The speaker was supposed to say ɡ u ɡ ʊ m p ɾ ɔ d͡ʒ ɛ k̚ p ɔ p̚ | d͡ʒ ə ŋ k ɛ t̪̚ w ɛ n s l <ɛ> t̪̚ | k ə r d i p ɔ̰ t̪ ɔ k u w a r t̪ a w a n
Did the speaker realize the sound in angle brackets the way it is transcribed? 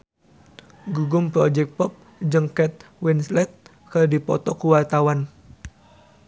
yes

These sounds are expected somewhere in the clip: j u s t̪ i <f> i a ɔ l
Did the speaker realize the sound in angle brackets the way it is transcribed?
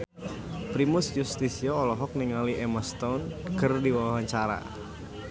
no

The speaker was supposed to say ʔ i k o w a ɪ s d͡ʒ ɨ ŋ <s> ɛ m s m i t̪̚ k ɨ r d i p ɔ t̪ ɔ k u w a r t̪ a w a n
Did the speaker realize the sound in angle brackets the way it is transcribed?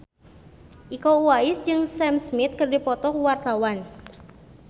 yes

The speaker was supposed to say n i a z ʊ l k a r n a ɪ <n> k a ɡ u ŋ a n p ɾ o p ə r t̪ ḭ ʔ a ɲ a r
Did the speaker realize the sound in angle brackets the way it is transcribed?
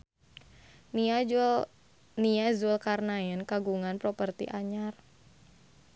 yes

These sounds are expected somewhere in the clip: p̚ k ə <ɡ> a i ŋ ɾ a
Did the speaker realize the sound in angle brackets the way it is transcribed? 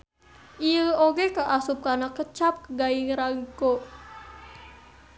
yes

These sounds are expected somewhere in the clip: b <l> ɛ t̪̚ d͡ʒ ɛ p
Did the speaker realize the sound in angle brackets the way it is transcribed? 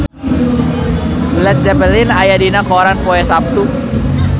yes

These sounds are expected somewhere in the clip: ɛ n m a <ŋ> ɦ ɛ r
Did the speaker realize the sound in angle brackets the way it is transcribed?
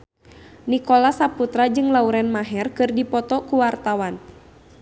no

